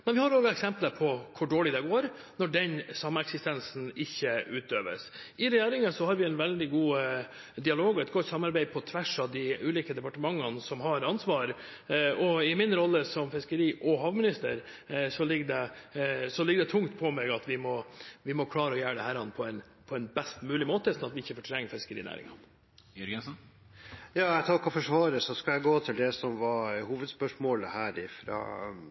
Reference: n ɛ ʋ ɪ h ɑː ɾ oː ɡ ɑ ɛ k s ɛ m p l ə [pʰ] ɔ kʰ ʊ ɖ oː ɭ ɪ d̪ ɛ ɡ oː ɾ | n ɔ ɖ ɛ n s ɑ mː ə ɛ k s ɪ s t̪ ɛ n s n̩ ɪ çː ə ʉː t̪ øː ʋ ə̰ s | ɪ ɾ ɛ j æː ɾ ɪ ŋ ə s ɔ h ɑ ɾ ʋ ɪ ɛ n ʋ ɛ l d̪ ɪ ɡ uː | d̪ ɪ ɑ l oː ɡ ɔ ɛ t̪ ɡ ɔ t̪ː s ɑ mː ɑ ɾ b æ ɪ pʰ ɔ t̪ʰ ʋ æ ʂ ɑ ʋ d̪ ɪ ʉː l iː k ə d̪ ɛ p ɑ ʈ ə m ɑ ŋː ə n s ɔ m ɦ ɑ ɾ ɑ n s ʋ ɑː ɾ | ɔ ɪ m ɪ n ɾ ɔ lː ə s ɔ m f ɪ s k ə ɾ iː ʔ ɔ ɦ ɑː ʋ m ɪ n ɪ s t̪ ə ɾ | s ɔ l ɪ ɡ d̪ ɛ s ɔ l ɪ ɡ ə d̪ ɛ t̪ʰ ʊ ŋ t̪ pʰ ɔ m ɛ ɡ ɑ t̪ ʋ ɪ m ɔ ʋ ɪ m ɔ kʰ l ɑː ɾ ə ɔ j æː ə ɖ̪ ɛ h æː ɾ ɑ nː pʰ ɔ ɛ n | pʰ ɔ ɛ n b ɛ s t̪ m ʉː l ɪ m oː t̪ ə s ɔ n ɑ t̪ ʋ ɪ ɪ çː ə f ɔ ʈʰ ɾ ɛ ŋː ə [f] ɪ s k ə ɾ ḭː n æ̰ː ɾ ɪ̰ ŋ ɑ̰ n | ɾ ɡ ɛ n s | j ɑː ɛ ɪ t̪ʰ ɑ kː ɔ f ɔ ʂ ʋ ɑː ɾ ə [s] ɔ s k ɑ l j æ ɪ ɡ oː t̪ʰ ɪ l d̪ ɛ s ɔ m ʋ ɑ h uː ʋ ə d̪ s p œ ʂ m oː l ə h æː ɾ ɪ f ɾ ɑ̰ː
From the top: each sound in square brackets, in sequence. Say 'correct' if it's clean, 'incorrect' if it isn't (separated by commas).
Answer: correct, correct, correct